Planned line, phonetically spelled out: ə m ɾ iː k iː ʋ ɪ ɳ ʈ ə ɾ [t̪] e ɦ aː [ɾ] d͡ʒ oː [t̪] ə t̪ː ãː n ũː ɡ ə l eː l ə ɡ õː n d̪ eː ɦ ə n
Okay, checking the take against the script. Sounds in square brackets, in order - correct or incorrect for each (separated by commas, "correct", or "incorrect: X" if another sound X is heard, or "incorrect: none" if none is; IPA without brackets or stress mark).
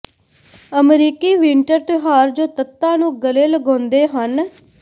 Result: correct, correct, correct